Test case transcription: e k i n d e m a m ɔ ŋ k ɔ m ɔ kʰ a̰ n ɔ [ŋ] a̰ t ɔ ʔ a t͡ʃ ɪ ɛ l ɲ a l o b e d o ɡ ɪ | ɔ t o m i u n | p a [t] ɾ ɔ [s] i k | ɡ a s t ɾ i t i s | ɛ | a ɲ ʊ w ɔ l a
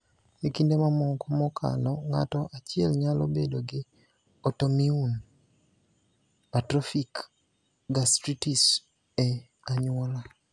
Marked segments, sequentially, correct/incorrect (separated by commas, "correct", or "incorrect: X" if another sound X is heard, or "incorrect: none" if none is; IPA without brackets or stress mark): correct, correct, incorrect: f